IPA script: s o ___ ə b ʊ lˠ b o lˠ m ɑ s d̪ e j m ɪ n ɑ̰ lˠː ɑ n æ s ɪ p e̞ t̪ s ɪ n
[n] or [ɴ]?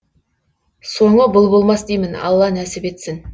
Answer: ɴ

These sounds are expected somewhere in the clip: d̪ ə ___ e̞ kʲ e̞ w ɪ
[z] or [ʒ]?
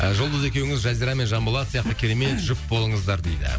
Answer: z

